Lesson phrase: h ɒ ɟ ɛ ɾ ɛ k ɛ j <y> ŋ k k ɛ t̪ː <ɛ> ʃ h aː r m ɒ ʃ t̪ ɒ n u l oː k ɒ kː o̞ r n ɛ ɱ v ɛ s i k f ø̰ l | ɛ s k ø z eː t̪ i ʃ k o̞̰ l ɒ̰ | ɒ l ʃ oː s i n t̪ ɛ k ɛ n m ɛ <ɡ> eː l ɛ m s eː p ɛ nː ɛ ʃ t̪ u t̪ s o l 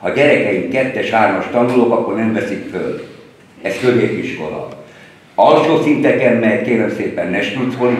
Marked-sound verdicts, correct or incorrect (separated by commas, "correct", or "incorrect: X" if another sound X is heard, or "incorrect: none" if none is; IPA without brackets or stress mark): incorrect: i, correct, incorrect: k